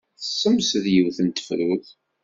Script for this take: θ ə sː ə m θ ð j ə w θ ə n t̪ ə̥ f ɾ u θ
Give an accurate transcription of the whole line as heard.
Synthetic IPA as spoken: θ ə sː ə m s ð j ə w θ ə n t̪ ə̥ f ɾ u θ